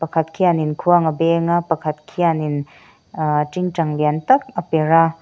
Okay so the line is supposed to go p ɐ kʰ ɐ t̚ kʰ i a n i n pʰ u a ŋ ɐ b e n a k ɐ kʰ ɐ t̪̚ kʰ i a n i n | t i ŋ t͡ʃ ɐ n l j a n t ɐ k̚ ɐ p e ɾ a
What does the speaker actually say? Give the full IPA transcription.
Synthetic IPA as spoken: p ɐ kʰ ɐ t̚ kʰ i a n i n kʰ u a ŋ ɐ b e ŋ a p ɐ kʰ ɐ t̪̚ kʰ i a n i n | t i ŋ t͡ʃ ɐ ŋ l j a n t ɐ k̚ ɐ p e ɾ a